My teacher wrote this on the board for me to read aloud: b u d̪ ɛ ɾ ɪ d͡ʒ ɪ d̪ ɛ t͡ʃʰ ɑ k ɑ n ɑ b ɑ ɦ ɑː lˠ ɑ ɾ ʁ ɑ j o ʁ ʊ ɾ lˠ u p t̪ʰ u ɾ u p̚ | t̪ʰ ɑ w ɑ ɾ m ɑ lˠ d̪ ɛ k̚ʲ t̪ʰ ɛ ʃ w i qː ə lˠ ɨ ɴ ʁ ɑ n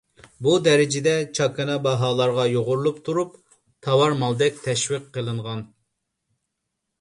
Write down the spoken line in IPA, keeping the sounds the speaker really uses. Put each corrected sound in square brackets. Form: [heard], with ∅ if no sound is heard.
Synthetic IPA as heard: b u d̪ ɛ ɾ ɪ d͡ʒ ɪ d̪ ɛ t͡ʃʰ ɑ k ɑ n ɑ b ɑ ɦ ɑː lˠ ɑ ɾ ʁ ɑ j o ʁ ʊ ɾ lˠ u p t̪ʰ u ɾ u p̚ | t̪ʰ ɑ w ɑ ɾ m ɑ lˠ d̪ ɛ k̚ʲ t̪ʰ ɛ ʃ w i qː ə lˠ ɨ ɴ ʁ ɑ n